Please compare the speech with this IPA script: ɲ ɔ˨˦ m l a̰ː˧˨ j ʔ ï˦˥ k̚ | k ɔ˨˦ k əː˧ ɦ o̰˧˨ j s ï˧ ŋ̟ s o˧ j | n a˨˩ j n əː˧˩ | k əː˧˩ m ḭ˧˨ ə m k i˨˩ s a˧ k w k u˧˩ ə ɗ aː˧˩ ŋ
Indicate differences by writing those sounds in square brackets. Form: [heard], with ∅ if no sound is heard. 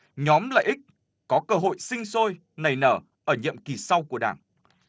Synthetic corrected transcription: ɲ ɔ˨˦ m l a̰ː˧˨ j ʔ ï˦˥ k̚ | k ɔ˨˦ k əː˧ ɦ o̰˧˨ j s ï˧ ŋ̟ s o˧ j | n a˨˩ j n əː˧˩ | [ʔ] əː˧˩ [ɲ] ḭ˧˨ ə m k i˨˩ s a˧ [∅] w k u˧˩ ə ɗ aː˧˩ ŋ